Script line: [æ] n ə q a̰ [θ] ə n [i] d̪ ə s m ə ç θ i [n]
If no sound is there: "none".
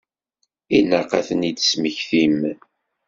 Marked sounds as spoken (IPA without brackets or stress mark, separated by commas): i, θ, i, m